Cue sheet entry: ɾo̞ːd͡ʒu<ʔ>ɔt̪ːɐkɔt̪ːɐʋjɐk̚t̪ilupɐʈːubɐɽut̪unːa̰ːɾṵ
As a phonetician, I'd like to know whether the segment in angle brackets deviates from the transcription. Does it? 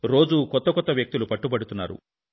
yes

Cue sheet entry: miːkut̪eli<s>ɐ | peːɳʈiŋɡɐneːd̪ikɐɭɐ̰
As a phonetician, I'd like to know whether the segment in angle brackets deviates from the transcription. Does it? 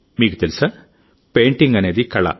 no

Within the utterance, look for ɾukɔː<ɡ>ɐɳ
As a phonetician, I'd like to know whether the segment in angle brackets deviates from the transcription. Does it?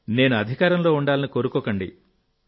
yes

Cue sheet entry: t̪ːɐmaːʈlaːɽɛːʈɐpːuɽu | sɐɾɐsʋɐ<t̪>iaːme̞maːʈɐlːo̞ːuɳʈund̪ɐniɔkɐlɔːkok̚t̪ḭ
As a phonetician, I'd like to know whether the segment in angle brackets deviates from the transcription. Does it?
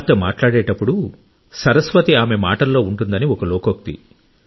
no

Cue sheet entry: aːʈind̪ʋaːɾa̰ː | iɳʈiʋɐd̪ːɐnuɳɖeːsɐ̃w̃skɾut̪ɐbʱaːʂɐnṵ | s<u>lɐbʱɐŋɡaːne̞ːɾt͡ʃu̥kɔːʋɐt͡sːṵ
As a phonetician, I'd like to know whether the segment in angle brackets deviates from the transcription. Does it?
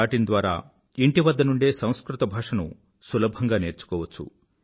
no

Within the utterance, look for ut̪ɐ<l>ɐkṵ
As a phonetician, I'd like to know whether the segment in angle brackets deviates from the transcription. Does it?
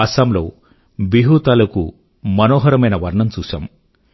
no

